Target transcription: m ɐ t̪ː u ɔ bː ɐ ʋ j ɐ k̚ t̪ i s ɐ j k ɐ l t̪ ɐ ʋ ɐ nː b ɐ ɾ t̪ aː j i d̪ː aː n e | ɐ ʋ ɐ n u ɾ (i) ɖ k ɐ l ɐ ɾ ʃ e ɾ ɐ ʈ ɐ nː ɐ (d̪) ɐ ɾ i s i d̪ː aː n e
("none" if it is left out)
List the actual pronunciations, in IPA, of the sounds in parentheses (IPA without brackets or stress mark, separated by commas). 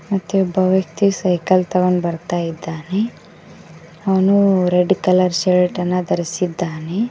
e, d̪